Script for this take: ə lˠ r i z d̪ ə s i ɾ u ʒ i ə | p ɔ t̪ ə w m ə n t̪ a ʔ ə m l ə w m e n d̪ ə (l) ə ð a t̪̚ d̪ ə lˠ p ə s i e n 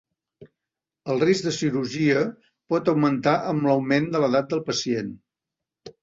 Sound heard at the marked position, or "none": l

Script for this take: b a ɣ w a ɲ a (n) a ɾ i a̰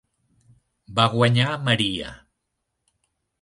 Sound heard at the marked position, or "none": m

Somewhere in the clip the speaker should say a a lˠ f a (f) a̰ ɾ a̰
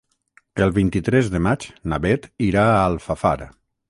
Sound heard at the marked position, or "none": f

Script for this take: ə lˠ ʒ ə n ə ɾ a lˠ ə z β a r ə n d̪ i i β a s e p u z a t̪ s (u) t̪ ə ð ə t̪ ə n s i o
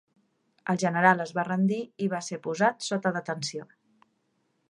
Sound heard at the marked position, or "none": o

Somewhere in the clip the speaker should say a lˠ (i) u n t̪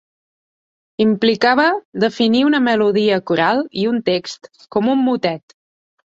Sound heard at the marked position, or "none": i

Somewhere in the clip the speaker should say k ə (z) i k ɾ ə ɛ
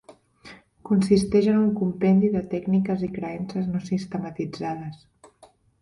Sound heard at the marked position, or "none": z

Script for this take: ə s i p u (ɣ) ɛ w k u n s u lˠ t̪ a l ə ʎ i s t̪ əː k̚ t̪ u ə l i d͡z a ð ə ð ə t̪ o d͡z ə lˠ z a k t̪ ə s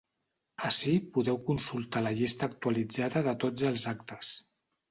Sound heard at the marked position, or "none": ð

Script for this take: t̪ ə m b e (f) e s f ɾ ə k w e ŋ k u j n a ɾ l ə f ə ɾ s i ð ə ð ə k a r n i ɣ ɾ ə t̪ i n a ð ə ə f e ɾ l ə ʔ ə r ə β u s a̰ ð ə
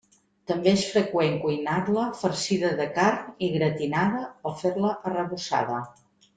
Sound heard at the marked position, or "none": none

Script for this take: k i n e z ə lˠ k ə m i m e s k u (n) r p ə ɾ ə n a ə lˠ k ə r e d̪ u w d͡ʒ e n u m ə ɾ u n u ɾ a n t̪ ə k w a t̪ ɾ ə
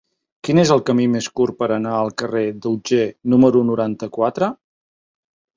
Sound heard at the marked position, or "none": none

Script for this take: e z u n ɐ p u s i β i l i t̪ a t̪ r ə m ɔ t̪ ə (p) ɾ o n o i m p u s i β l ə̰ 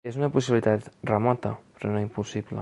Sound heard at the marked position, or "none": p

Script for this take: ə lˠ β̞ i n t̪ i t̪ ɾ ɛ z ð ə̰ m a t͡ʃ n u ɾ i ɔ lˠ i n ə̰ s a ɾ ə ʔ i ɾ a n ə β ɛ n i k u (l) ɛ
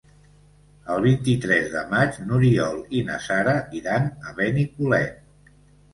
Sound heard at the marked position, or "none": l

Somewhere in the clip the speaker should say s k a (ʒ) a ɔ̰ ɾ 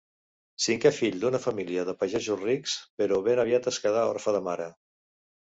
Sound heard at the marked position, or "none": ð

